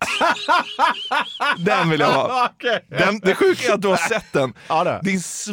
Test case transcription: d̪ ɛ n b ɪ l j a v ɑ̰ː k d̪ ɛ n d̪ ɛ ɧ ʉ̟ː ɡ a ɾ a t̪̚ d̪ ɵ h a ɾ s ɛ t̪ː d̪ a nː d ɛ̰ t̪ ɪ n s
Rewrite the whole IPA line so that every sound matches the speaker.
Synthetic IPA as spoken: d̪ ɛ n v ɪ l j a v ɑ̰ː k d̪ ɛ n d̪ ɛ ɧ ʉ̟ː k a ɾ a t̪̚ d̪ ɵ h a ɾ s ɛ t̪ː d̪ ɛ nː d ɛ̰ d̪ ɪ n s